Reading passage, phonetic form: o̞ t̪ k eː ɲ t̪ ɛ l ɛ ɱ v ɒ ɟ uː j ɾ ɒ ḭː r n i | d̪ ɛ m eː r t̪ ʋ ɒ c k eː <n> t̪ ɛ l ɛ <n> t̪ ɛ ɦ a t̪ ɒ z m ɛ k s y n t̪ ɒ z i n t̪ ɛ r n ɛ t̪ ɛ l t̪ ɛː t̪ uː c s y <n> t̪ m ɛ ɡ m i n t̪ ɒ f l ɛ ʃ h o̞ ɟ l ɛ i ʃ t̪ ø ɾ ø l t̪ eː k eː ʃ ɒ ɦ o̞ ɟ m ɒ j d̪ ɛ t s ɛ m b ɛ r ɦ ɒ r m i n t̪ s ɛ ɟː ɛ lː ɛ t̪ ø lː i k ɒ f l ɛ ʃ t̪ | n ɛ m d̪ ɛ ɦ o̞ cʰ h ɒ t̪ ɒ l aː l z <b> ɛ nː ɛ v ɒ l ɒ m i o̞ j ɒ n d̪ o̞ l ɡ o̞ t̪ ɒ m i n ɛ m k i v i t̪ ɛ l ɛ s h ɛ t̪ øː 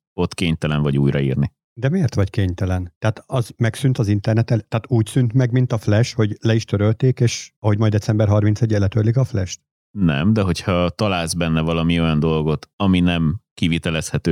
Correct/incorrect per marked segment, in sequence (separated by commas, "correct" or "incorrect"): incorrect, correct, correct, correct